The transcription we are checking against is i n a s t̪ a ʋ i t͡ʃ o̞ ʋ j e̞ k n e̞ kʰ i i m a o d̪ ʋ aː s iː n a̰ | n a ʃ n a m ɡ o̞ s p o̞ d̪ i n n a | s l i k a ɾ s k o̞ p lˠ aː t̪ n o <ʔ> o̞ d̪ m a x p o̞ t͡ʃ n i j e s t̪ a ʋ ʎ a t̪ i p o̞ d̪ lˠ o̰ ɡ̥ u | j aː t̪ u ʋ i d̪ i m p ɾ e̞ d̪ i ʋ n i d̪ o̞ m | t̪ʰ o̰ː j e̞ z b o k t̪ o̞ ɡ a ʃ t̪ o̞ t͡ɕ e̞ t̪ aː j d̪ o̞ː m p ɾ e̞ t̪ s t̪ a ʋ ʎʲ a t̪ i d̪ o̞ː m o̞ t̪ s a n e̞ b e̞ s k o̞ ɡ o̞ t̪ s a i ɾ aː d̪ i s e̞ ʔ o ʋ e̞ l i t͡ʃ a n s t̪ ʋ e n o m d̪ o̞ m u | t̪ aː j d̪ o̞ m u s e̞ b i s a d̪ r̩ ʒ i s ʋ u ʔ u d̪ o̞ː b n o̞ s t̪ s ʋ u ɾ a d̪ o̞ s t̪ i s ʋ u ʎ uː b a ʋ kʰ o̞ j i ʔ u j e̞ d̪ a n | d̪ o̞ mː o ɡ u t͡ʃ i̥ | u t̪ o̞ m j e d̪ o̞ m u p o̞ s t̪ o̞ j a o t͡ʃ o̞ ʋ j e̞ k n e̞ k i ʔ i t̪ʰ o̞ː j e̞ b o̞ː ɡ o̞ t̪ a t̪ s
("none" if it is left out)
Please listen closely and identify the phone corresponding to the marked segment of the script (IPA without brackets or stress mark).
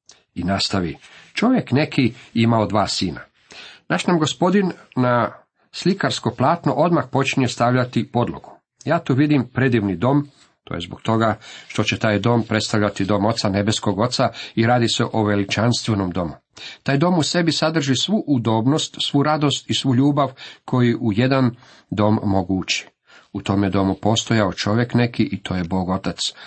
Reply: ʔ